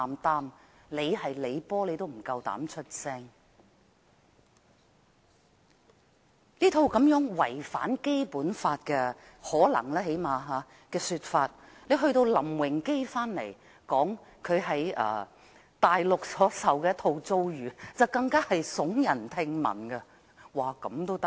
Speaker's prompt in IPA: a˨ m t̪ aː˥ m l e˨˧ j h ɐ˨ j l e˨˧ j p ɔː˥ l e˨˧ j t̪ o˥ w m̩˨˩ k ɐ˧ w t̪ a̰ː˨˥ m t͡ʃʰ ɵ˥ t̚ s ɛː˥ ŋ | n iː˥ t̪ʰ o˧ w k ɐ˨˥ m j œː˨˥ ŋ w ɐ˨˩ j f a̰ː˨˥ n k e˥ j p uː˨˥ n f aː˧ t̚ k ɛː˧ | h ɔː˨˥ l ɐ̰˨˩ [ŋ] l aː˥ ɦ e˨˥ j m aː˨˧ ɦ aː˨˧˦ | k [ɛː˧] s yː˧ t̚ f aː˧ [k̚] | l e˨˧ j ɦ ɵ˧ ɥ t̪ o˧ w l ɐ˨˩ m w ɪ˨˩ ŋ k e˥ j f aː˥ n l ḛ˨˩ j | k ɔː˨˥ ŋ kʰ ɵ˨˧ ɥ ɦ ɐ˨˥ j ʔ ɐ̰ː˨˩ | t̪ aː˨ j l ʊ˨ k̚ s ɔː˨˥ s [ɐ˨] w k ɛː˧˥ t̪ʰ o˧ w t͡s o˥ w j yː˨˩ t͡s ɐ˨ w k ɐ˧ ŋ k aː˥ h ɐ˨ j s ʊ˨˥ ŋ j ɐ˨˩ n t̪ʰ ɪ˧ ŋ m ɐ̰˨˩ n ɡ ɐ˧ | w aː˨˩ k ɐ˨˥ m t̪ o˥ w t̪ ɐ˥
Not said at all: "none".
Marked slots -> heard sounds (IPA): ŋ, ɛː˧, t̚, ɐ˨

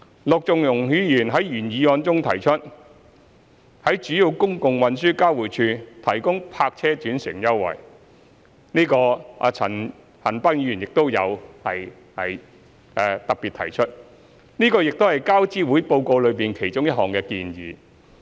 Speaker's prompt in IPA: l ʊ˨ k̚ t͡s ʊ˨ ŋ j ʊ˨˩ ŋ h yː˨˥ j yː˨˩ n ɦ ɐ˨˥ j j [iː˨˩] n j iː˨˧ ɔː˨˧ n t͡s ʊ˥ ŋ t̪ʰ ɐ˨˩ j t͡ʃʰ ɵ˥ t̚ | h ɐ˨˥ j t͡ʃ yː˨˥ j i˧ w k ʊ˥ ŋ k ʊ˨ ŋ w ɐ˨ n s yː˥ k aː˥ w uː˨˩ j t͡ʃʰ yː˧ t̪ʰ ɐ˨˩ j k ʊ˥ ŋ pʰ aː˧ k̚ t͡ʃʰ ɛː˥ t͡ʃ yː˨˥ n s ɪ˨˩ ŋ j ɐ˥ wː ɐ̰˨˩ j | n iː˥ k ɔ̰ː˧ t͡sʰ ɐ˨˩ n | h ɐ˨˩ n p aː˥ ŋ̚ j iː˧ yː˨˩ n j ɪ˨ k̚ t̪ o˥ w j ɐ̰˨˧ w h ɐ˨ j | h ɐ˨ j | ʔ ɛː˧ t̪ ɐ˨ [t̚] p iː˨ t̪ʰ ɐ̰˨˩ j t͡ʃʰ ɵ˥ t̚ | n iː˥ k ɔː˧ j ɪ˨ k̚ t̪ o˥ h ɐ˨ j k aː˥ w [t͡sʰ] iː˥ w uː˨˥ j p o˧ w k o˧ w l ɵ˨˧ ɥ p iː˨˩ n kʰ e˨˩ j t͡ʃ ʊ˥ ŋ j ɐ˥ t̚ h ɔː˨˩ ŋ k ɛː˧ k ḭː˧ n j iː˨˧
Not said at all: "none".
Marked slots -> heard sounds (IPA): yː˨˩, k̚, t͡s

